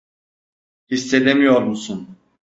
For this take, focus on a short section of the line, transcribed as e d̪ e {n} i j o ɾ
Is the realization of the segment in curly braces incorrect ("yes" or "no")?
yes